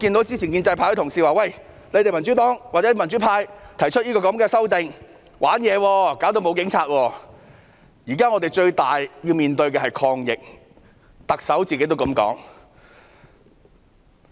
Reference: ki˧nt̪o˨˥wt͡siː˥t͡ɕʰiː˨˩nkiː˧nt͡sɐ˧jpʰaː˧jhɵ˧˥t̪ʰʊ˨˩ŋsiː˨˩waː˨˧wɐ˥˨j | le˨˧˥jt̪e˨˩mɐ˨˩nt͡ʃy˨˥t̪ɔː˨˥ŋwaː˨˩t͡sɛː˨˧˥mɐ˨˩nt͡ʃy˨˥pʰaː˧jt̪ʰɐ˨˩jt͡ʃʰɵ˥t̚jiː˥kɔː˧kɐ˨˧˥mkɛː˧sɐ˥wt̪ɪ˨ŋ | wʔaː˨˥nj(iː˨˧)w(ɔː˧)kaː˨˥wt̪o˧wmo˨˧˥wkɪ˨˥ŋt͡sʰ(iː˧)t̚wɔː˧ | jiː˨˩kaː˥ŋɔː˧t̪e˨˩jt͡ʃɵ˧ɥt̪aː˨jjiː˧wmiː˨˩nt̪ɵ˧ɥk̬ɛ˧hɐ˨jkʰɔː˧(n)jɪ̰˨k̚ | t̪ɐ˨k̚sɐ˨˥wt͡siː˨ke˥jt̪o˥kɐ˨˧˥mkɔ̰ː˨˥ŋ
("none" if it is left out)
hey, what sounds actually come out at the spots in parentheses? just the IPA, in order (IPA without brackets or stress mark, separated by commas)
ɛː˨˧, ɔː˧, aː˧, ŋ